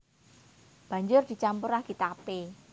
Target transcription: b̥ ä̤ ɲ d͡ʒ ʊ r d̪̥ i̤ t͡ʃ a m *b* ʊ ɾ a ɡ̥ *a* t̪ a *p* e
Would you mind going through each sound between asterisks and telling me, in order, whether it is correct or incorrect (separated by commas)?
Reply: incorrect, incorrect, correct